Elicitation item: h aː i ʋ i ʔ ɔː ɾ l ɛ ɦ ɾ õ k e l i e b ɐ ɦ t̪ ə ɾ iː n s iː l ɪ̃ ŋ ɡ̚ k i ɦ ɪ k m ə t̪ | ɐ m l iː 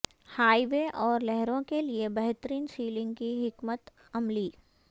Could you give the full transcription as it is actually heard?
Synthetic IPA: h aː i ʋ e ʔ ɔː ɾ l ɛ ɦ ɾ õ k e l i e b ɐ ɦ t̪ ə ɾ iː n s iː l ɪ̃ ŋ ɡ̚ k i ɦ ɪ k m ə t̪ | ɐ m l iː